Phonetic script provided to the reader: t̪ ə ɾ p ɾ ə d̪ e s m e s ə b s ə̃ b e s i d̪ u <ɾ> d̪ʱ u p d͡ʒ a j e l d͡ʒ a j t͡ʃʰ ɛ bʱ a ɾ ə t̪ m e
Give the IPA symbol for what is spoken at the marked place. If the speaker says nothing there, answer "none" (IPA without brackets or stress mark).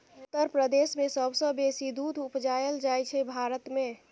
none